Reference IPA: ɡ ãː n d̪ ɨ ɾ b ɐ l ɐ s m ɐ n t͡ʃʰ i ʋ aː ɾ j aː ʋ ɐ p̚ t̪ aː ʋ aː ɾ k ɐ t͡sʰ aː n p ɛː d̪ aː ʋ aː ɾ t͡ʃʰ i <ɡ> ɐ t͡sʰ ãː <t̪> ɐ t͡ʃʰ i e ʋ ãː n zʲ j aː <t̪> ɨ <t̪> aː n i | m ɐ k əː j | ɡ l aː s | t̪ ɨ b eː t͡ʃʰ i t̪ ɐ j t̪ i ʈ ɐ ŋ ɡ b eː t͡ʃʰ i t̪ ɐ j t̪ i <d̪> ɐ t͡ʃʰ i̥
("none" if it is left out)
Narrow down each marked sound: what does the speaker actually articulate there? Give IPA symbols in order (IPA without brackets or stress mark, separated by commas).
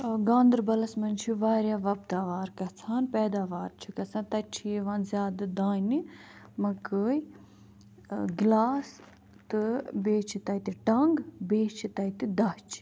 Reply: k, t̪, d̪, d̪, d̪